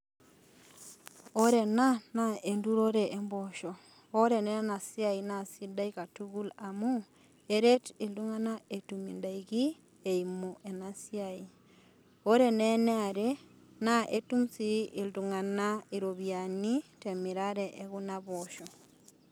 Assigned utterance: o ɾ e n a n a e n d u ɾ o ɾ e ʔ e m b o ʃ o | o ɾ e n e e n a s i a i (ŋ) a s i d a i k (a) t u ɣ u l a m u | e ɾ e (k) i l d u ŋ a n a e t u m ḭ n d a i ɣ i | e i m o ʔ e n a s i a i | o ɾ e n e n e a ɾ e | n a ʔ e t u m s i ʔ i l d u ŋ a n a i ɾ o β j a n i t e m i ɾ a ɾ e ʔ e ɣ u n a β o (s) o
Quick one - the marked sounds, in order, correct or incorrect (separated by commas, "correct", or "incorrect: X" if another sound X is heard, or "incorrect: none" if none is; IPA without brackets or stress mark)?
incorrect: n, correct, incorrect: t, incorrect: ʃ